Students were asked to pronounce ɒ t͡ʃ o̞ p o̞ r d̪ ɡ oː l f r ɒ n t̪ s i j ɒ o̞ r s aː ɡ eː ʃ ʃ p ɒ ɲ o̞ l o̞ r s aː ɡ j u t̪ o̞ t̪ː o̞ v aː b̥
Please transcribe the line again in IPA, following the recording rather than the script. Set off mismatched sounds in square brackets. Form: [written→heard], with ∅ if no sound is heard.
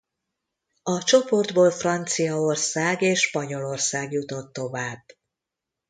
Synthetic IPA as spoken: ɒ t͡ʃ o̞ p o̞ r d̪ [ɡ→b] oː l f r ɒ n t̪ s i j ɒ o̞ r s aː ɡ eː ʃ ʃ p ɒ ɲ o̞ l o̞ r s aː ɡ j u t̪ o̞ t̪ː o̞ v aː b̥